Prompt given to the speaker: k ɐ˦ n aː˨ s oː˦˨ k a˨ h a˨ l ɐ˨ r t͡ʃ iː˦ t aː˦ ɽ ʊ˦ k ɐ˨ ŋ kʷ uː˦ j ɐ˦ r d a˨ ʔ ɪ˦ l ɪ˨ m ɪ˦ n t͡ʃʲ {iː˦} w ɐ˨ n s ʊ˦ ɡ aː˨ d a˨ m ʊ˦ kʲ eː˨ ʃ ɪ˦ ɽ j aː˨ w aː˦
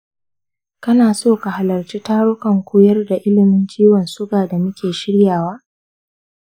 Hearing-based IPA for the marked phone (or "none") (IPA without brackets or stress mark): iː˦